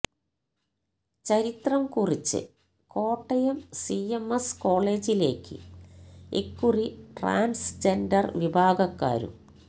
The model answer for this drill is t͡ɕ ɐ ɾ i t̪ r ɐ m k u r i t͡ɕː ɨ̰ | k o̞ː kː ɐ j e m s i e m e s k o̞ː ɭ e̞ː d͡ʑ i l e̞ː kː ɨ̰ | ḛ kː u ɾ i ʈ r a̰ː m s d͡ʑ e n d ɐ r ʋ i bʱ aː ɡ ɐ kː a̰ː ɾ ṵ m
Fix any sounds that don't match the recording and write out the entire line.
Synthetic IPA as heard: t͡ɕ ɐ ɾ i t̪ r ɐ m k u r i t͡ɕː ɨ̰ | k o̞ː ʈː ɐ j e m s i e m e s k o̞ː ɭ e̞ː d͡ʑ i l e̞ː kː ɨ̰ | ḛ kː u r i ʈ r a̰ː n s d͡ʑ e n d ɐ r ʋ i bʱ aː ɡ ɐ kː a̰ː ɾ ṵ m